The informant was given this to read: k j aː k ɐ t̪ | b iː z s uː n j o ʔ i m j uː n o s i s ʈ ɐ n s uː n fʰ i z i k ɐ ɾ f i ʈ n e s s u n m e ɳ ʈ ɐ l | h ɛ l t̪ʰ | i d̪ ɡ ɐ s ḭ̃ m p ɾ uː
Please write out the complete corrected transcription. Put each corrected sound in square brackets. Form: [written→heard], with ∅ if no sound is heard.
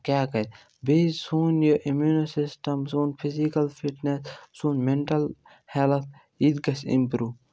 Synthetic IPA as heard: k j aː k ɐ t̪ | b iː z s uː n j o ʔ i m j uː n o s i s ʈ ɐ [n→m] s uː n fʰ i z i k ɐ [ɾ→l] f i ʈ n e s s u n m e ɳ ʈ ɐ l | h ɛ l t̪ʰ | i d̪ ɡ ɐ s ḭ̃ m p ɾ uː